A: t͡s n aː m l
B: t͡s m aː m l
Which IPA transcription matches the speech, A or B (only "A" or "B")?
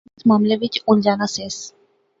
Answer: B